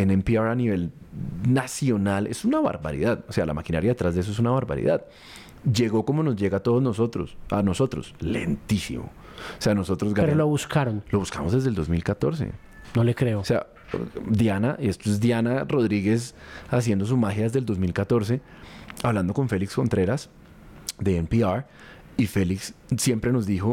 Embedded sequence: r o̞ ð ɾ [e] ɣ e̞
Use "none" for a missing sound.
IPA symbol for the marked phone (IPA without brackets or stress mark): i